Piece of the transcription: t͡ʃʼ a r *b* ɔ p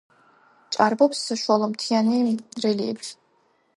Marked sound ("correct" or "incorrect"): correct